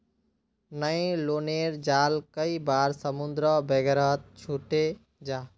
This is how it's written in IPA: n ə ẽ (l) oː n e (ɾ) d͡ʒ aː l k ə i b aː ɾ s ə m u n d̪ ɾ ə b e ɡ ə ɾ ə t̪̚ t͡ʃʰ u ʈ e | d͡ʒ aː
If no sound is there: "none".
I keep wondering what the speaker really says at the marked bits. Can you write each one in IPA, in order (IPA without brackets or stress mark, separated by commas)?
l, ɾ